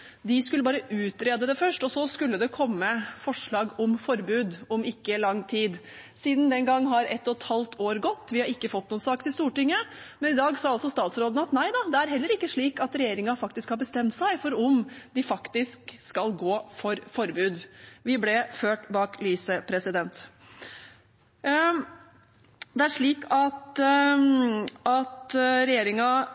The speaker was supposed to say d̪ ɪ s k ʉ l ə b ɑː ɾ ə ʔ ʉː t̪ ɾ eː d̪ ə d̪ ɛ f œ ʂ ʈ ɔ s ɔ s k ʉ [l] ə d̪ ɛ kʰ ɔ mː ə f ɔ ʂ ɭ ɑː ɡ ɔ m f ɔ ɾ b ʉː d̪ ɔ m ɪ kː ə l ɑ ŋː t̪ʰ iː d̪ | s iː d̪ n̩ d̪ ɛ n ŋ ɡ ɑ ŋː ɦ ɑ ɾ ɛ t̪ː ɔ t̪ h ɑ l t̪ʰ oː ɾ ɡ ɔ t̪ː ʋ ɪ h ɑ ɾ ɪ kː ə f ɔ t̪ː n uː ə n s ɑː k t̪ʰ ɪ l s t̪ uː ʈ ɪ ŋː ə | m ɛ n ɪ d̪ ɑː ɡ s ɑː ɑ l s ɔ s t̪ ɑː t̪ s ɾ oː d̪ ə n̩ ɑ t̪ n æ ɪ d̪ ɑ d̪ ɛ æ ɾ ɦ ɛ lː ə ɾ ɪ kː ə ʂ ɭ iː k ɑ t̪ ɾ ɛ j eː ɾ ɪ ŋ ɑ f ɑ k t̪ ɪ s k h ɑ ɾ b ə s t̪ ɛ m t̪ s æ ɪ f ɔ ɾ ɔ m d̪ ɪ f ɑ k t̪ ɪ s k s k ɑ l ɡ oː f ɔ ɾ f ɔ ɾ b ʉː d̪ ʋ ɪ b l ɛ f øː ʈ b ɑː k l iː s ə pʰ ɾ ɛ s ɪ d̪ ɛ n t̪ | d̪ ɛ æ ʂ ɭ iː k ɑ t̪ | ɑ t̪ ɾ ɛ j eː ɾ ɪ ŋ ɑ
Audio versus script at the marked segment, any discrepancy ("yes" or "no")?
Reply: yes